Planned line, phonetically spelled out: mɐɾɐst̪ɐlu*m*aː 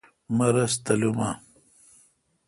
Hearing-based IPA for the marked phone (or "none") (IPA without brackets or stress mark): m